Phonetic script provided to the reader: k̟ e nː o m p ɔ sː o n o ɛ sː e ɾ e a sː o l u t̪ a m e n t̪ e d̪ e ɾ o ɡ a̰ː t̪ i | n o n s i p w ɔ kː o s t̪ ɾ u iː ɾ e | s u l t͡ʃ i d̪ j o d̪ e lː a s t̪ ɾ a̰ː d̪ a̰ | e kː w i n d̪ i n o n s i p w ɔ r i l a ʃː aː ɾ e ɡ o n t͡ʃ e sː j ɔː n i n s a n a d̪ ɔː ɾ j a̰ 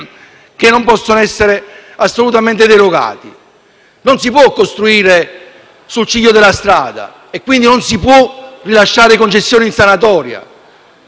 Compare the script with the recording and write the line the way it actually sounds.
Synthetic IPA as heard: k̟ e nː o m p ɔ sː o n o ɛ sː e ɾ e a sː o l u t̪ a m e n t̪ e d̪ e ɾ o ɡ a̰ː t̪ i | n o n s i p w ɔ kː o s t̪ ɾ u iː ɾ e | s u l t͡ʃ i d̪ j o d̪ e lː a s t̪ ɾ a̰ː d̪ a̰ | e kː w i n d̪ i n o n s i p w ɔ r i l a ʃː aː ɾ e k o n t͡ʃ e sː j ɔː n i n s a n a t̪ ɔː ɾ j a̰